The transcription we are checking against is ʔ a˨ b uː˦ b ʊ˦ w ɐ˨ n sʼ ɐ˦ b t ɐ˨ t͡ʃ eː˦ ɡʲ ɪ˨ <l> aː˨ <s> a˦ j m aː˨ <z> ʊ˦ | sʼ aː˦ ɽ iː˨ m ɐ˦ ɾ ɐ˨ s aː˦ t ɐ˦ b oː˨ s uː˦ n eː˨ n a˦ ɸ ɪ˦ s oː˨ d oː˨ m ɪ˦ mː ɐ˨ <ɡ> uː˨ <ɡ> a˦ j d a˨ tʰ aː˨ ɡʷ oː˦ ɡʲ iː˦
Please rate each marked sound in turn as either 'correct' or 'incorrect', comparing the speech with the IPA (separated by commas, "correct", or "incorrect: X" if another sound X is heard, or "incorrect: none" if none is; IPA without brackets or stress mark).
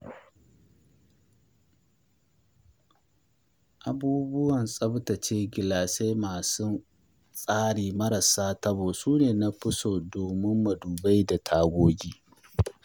correct, correct, incorrect: s, incorrect: d, incorrect: b